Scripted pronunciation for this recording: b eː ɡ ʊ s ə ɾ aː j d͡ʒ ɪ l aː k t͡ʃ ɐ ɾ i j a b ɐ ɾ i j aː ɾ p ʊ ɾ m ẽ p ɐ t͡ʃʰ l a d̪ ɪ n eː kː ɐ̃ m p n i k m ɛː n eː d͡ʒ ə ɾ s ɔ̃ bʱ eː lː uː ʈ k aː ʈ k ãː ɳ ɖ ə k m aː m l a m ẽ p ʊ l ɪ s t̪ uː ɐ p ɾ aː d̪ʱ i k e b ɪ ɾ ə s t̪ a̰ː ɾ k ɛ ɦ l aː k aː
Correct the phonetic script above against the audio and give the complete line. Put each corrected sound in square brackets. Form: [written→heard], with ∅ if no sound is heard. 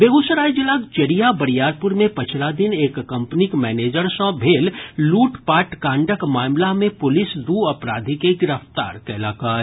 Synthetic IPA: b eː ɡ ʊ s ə ɾ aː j d͡ʒ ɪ l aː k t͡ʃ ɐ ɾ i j a b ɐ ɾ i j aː ɾ p ʊ ɾ m ẽ p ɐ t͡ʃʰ l a d̪ ɪ n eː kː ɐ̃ m p n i k m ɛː n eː d͡ʒ ə ɾ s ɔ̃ bʱ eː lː uː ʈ [k→p] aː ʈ k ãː ɳ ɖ ə k m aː m l a m ẽ p ʊ l ɪ s [t̪→d̪] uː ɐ p ɾ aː d̪ʱ i k e [b→ɡ] ɪ ɾ ə [s→f] t̪ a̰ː ɾ k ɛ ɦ l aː k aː